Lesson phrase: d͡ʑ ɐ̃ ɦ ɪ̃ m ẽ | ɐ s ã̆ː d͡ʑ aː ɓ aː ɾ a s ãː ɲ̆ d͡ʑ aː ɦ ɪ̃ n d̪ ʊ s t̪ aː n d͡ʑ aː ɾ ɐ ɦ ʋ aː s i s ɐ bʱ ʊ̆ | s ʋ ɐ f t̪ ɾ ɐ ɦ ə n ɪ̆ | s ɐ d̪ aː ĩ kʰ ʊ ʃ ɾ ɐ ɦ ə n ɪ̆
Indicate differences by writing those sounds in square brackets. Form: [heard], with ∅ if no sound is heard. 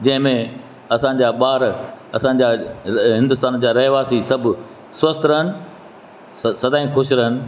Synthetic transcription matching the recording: d͡ʑ ɐ̃ ɦ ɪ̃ m ẽ | ɐ s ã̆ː d͡ʑ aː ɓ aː ɾ [ɐ] s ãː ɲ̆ d͡ʑ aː ɦ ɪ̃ n d̪ ʊ s t̪ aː n d͡ʑ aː ɾ ɐ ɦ ʋ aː s i s ɐ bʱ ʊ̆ | s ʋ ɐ [s] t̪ ɾ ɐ ɦ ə n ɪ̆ | s ɐ d̪ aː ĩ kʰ ʊ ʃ ɾ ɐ ɦ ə n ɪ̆